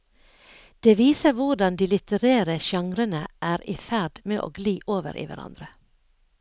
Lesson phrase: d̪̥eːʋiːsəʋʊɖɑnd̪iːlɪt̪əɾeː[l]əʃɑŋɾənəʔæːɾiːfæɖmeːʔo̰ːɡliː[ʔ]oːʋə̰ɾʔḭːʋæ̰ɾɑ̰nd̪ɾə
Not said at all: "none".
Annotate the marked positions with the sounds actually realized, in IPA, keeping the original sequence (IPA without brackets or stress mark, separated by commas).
ɾ, ʔ